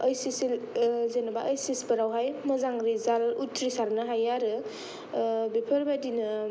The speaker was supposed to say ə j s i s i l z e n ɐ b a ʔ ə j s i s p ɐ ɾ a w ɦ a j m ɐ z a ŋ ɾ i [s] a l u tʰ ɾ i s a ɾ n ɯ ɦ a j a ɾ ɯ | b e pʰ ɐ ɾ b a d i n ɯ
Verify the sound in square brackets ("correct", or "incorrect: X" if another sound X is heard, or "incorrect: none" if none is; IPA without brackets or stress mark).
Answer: incorrect: z